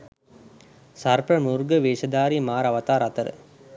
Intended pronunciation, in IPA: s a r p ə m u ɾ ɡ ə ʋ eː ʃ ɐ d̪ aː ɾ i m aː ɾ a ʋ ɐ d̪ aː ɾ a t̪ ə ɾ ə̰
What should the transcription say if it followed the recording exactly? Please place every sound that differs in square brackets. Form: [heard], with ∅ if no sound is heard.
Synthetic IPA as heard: s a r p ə m u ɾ ɡ ə ʋ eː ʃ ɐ d̪ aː ɾ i m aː ɾ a ʋ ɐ [t̪] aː ɾ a t̪ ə ɾ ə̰